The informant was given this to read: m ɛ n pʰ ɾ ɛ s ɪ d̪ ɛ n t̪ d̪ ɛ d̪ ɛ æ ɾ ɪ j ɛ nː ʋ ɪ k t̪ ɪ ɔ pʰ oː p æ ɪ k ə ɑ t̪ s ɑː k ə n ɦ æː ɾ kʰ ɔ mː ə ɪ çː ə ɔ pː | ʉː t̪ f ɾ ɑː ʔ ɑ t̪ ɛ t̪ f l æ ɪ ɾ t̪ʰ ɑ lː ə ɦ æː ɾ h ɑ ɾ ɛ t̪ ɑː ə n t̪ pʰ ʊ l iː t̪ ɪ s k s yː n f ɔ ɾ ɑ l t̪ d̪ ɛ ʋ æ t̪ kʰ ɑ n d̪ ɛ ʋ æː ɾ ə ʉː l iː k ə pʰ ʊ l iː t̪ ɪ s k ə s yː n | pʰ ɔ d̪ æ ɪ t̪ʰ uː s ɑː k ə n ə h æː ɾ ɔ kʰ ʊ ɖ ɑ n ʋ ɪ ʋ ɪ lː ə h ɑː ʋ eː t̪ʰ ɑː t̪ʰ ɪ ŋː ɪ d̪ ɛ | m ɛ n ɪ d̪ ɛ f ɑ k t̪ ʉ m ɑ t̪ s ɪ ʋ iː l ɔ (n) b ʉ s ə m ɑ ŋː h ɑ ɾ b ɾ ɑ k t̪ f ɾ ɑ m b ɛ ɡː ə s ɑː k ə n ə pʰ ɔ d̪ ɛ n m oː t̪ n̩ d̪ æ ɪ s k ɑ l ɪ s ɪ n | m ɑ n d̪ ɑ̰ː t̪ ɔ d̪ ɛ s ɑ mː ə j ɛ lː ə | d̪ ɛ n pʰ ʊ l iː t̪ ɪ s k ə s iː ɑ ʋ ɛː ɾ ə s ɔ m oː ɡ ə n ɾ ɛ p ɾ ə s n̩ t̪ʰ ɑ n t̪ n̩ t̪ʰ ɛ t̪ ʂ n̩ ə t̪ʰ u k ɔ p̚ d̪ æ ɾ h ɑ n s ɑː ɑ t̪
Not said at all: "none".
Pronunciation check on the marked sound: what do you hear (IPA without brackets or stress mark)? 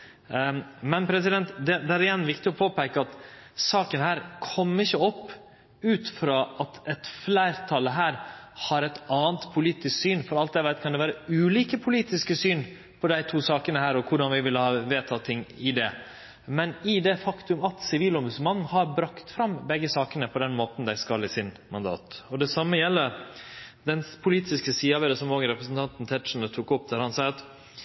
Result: m